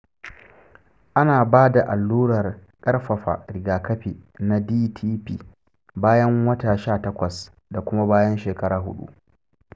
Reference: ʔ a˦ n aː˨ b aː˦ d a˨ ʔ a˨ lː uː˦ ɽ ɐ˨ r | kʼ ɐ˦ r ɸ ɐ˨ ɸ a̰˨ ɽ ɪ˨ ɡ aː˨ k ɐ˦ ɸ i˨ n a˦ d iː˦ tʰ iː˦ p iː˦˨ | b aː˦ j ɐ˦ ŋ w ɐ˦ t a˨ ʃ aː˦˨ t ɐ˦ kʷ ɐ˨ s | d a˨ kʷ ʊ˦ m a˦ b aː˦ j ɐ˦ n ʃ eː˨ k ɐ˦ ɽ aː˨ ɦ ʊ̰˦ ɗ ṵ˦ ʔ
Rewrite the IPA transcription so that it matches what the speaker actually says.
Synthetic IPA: ʔ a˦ n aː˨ b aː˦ d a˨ ʔ a˨ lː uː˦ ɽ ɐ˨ r | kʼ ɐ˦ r ɸ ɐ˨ ɸ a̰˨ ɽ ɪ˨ ɡ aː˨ k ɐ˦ ɸ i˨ n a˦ d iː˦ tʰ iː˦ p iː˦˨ | b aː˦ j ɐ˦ ŋ w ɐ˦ t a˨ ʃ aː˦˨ t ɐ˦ kʷ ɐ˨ s | d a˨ kʷ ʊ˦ m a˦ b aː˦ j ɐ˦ n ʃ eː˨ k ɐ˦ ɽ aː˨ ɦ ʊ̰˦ ɗ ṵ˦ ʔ